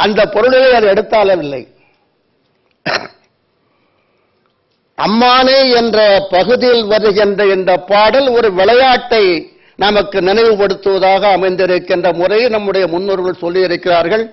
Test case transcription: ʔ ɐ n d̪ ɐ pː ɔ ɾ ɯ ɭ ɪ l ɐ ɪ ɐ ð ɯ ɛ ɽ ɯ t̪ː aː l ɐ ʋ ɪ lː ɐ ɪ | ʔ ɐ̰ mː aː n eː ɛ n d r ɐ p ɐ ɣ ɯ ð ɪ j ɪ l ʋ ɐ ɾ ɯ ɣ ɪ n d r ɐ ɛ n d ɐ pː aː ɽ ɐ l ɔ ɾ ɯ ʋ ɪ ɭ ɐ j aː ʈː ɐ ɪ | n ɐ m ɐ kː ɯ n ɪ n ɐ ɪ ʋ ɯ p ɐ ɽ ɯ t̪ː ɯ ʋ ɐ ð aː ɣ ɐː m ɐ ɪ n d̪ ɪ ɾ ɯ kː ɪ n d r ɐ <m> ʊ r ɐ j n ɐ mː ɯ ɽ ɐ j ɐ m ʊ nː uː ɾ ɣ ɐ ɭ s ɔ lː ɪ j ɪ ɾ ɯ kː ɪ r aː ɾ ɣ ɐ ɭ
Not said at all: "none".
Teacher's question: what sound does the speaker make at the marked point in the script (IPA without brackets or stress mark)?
m